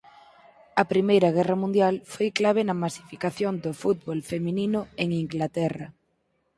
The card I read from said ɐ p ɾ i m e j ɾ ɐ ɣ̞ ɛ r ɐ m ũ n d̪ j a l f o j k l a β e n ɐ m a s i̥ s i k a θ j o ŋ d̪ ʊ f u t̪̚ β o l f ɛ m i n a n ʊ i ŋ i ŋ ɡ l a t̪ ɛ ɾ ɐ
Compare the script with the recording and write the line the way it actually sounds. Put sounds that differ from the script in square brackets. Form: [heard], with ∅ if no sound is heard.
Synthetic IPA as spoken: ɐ p ɾ i m e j ɾ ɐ ɣ̞ ɛ r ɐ m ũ n d̪ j a l f o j k l a β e n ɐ m a s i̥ [f] i k a θ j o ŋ d̪ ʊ f u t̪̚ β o l f [e] m i n [i] n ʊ [e] ŋ i ŋ ɡ l a t̪ ɛ [r] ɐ